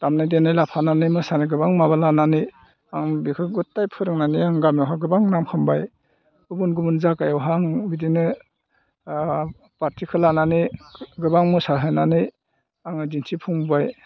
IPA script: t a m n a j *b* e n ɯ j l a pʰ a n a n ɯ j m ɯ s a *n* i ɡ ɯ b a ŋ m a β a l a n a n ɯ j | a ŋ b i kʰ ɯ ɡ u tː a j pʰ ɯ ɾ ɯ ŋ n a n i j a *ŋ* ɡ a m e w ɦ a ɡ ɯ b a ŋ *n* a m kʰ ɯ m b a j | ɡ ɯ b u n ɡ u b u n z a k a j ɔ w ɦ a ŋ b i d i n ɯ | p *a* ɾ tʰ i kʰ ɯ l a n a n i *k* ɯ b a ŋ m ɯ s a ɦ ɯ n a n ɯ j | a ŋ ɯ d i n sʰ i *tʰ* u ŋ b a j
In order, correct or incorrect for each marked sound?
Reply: incorrect, correct, correct, correct, correct, incorrect, incorrect

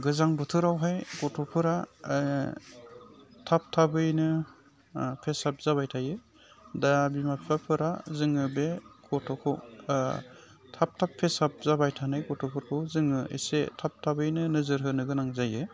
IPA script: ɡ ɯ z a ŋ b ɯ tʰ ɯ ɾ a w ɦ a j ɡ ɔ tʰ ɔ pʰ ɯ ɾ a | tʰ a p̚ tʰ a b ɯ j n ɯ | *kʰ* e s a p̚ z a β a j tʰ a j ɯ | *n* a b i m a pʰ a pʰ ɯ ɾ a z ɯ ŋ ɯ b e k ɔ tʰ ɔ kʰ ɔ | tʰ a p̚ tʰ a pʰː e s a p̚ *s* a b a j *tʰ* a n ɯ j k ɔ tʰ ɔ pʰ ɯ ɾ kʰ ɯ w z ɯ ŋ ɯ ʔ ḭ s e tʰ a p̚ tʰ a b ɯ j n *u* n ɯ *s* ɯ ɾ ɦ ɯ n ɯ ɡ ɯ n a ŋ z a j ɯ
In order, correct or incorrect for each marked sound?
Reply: incorrect, incorrect, incorrect, correct, incorrect, incorrect

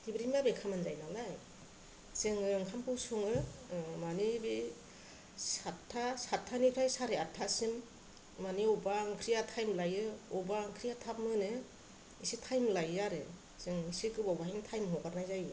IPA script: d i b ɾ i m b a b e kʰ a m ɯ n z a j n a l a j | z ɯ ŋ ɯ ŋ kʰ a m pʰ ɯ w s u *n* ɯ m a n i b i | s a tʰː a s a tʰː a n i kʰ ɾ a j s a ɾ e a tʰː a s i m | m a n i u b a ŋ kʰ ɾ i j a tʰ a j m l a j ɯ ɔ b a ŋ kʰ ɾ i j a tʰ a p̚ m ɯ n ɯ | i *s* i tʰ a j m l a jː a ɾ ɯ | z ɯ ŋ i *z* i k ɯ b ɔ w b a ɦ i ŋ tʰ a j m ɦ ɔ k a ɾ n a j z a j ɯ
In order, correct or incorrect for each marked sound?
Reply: incorrect, correct, incorrect

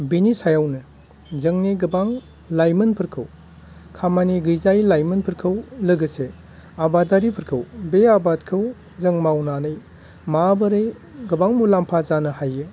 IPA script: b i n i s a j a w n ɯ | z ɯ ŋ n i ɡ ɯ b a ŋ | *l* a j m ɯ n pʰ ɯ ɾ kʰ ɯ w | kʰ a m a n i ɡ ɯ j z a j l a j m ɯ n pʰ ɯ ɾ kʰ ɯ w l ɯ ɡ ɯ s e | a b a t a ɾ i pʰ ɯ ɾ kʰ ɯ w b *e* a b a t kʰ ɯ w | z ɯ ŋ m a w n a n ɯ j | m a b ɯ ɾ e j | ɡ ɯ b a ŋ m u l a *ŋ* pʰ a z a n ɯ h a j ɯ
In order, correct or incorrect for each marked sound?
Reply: correct, correct, incorrect

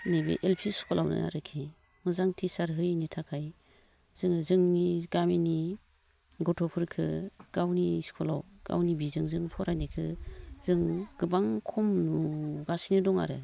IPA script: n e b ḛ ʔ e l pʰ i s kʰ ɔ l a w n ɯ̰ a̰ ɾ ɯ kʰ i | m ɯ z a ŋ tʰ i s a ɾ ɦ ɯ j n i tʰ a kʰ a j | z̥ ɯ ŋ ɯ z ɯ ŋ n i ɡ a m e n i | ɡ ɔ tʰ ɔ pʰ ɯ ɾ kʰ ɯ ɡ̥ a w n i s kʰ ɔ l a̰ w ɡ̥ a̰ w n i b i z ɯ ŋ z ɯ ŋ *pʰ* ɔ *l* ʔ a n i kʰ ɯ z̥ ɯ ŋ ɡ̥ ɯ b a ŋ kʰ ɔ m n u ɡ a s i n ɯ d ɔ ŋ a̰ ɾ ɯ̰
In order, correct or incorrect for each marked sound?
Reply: correct, incorrect

